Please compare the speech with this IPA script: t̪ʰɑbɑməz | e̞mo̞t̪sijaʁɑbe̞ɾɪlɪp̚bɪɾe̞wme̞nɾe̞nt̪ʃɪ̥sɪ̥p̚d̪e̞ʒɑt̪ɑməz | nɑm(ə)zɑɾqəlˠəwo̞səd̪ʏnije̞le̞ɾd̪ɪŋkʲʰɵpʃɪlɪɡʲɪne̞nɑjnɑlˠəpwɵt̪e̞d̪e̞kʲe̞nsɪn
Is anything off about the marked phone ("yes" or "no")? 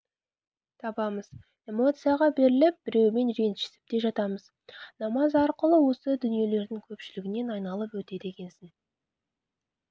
yes